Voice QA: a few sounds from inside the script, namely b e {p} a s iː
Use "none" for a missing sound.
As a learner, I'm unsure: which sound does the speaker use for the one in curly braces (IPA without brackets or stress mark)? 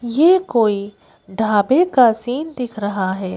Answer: k